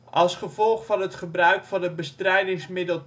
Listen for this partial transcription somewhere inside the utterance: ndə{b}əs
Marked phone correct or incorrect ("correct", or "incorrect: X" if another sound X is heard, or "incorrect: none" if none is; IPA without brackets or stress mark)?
correct